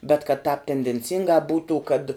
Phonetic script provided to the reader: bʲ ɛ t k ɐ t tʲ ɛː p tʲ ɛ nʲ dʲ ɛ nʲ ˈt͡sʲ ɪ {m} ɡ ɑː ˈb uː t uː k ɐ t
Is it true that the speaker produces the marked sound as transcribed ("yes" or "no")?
no